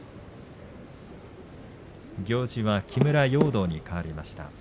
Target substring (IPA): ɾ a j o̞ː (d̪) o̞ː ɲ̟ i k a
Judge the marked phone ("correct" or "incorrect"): correct